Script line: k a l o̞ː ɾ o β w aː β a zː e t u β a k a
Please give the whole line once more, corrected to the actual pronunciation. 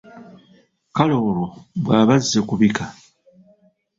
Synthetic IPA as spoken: k a l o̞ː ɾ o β w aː β a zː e k u β i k a